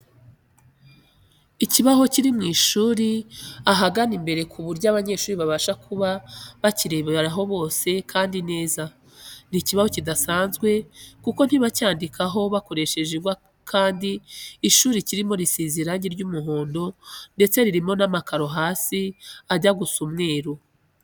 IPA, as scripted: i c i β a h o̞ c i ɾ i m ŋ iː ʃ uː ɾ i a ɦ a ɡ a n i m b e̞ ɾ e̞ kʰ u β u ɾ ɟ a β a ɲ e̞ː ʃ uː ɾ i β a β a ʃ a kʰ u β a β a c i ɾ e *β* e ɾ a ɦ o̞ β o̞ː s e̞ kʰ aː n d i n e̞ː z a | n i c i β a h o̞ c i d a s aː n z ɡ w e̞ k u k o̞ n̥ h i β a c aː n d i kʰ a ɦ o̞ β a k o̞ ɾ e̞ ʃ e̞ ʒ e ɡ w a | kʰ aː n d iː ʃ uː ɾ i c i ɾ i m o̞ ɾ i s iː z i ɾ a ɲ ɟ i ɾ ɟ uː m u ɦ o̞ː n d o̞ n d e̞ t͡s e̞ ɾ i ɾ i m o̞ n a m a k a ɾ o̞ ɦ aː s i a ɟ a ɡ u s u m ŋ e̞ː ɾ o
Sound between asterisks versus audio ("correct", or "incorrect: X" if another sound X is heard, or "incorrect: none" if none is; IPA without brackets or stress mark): correct